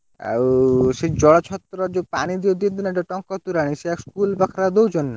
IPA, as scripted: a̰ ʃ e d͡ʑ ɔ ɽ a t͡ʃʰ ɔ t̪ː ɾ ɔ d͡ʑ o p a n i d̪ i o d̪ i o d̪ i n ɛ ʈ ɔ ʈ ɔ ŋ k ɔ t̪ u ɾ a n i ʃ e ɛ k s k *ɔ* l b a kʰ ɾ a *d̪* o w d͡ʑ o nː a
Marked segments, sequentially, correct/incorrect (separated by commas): incorrect, correct